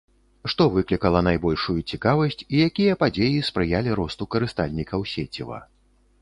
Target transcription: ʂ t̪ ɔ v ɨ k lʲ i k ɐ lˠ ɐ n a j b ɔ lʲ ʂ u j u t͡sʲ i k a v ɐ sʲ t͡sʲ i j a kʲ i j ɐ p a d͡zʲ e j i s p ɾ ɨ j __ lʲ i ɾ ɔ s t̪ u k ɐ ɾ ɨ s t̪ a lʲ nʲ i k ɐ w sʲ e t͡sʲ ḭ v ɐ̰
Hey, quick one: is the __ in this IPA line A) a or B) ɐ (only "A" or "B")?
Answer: A